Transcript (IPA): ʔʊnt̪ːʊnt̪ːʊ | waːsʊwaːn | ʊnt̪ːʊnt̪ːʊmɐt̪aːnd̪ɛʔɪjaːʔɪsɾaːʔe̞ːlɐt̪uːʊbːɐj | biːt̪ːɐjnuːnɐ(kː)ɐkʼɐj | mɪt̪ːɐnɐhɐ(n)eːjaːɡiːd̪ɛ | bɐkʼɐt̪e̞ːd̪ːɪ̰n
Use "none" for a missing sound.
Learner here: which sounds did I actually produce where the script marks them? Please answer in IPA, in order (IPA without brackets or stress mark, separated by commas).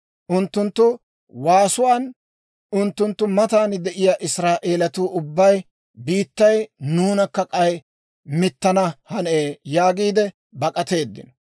kː, n